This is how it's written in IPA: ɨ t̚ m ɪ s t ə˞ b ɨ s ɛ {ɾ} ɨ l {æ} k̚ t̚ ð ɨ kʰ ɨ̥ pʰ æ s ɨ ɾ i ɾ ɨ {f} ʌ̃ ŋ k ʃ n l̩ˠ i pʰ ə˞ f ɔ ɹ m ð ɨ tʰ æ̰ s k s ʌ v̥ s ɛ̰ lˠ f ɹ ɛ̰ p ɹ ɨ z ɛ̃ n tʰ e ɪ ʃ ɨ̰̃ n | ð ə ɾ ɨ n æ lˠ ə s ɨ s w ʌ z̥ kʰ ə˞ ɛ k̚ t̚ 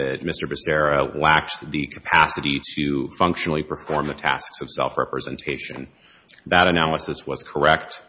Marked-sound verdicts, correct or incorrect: incorrect: ɹ, correct, correct

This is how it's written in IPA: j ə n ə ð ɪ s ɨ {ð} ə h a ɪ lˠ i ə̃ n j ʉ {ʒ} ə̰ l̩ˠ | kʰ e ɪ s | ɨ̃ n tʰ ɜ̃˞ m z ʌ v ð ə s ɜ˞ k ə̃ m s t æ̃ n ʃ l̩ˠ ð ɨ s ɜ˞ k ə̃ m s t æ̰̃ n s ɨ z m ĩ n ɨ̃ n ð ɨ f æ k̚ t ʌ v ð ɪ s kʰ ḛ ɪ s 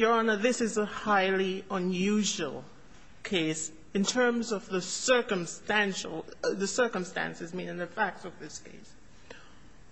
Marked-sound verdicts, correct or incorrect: incorrect: z, correct

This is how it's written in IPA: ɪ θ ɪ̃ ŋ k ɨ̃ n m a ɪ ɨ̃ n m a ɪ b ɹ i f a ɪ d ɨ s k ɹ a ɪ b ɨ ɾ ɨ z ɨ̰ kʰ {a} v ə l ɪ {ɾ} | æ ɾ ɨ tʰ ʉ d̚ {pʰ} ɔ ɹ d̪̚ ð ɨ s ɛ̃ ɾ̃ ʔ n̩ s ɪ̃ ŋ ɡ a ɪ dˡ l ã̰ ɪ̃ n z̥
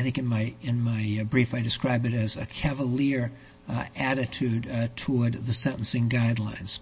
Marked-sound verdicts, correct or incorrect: incorrect: æ, incorrect: ɹ, incorrect: tʰ

